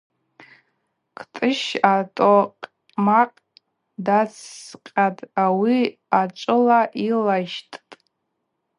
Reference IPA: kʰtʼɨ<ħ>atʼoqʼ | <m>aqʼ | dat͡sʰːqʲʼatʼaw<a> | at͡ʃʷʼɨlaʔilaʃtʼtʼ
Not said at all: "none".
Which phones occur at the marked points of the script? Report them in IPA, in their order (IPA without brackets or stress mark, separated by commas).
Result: ʃ, m, i